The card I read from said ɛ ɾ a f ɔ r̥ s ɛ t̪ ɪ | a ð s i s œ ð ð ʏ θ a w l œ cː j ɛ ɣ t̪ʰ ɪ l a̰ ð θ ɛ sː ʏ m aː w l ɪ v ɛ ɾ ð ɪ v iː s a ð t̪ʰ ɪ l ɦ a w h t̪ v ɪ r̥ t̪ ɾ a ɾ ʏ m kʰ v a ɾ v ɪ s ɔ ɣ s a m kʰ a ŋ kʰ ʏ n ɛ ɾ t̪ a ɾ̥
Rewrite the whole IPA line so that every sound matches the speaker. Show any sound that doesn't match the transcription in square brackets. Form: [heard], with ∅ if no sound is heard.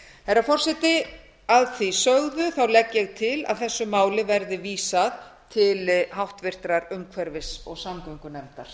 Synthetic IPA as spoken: ɛ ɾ a f ɔ r̥ s ɛ t̪ ɪ | a ð [θ] i s œ [ɣ] ð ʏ θ a w l [ɛ] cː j ɛ ɣ t̪ʰ ɪ l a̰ ð θ ɛ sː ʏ m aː w l ɪ v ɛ ɾ ð ɪ v iː s a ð t̪ʰ ɪ l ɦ a w h t̪ v ɪ r̥ t̪ ɾ a ɾ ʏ m kʰ v [ɛ] ɾ v ɪ s ɔ ɣ s a m [k] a ŋ [k] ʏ n ɛ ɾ t̪ a ɾ̥

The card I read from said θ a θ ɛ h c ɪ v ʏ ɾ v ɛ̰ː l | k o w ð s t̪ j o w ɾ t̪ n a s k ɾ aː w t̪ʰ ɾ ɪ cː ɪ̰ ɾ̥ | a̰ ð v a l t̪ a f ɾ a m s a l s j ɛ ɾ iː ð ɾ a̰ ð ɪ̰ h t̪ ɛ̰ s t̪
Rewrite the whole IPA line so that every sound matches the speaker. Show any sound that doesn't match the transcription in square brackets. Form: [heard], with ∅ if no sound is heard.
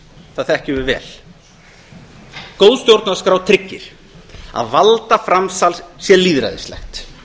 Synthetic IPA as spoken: θ a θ ɛ h c ɪ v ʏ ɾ v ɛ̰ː l | k o w ð s t̪ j o w ɾ t̪ n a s k ɾ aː w t̪ʰ ɾ ɪ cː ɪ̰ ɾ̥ | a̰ ð v a l t̪ a f ɾ a m s a l s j ɛ [l] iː ð ɾ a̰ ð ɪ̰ [s] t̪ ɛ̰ [x] t̪

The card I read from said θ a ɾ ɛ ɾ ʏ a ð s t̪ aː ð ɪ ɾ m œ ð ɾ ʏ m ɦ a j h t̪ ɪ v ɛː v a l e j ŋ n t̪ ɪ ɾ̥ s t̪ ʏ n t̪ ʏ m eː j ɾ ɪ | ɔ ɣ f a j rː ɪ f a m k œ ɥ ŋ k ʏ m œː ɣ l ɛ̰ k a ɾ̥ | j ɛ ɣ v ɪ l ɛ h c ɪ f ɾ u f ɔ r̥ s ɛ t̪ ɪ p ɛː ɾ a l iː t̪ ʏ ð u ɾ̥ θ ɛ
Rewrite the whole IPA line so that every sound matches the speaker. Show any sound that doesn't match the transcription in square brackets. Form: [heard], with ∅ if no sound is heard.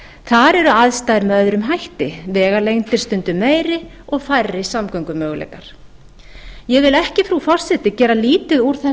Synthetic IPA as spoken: θ a ɾ ɛ ɾ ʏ a ð s t̪ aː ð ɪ ɾ m œ ð ɾ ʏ m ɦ a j h t̪ ɪ v ɛː [ɣ] a l e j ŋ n t̪ ɪ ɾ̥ s t̪ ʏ n t̪ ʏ m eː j ɾ ɪ | ɔ ɣ f a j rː ɪ [s] a m k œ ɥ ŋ k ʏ m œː ɣ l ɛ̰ k a ɾ̥ | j ɛ ɣ v ɪ l ɛ h c ɪ f ɾ u f ɔ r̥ s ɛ t̪ ɪ [c] ɛː ɾ a l iː t̪ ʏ ð u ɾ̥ θ ɛ

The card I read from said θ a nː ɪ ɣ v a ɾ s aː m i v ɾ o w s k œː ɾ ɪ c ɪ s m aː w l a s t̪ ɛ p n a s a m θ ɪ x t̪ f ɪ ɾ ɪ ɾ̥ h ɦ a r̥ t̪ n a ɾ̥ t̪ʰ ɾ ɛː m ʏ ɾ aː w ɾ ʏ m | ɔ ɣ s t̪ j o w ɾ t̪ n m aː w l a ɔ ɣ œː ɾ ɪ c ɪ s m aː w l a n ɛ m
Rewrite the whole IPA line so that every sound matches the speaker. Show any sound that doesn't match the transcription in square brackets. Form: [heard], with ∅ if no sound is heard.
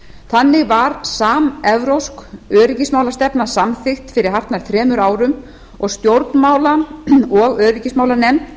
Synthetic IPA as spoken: θ a nː ɪ ɣ v a ɾ s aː m [ɛ] v ɾ o w s k œː ɾ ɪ c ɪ s m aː w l a s t̪ ɛ p n a s a m θ ɪ x t̪ f ɪ ɾ ɪ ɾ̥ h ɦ a r̥ t̪ n a ɾ̥ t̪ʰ ɾ ɛː m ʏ ɾ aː w ɾ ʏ m | ɔ ɣ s t̪ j o w ɾ t̪ n m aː w l a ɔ ɣ œː ɾ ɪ c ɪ s m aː w l a n ɛ m

